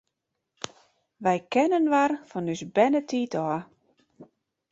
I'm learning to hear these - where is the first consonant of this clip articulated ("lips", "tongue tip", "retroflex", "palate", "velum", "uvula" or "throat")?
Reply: lips